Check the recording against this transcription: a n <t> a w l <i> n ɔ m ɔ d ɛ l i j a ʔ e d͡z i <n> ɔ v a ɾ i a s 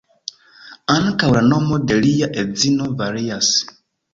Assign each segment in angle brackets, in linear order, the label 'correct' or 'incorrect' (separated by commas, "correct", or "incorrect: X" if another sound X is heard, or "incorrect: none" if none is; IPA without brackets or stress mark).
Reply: incorrect: k, incorrect: a, correct